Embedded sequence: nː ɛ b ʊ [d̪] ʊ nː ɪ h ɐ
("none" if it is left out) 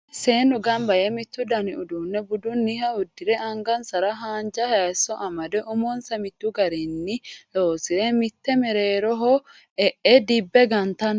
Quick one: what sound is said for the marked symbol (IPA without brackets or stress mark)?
d̪